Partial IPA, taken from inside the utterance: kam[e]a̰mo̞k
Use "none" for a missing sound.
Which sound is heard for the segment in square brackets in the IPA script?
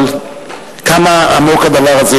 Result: a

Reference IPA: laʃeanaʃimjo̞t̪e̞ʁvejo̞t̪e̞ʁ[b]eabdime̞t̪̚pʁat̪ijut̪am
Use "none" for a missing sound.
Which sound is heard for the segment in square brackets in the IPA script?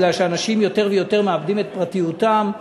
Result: m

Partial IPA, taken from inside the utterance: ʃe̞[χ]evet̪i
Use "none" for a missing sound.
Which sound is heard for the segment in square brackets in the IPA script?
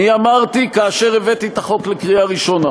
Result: ʁ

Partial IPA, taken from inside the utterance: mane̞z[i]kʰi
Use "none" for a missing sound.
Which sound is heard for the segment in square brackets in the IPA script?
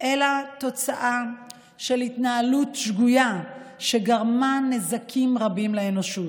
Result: a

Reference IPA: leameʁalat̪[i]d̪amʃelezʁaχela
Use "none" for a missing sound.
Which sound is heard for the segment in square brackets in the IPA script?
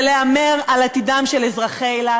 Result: i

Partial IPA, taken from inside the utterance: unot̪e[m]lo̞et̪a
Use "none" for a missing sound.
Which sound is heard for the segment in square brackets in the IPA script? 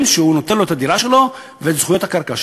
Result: n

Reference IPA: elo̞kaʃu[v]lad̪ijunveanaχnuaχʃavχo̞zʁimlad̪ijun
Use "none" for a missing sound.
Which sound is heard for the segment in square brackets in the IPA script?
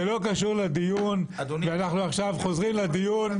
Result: ʁ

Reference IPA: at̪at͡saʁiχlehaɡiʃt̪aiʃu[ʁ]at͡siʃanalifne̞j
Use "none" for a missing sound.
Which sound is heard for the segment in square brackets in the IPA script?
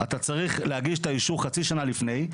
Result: χ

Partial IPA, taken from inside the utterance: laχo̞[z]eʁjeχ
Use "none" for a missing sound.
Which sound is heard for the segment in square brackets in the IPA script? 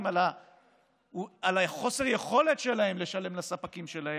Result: s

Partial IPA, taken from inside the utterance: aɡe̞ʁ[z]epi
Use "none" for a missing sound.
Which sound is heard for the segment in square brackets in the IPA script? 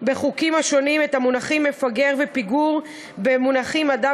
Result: v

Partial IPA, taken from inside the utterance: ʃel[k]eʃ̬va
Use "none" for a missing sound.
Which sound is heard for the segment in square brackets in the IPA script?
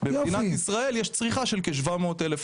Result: k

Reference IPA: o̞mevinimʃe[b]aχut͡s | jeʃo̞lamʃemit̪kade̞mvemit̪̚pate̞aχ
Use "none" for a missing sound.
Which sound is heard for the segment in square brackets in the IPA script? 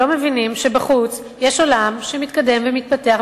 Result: b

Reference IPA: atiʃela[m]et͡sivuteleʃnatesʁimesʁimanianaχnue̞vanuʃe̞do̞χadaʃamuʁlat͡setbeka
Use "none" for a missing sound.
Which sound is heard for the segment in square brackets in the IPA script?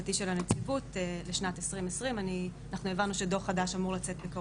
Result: n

